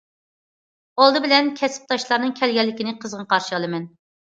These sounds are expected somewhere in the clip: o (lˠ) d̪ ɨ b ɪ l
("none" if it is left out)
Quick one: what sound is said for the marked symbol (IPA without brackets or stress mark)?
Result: lˠ